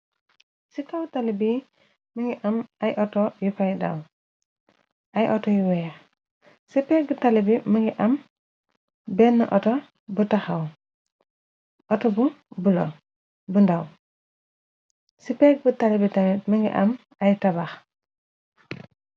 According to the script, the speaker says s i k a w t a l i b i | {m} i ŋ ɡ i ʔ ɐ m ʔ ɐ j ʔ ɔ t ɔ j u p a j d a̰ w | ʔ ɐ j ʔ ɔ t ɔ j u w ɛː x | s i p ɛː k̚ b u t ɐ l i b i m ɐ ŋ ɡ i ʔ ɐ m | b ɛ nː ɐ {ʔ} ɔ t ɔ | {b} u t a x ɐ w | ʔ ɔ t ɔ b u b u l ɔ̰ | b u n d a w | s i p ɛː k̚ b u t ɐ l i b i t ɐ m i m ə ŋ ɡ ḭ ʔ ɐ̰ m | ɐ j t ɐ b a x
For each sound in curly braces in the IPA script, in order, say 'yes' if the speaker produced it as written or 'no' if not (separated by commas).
yes, yes, yes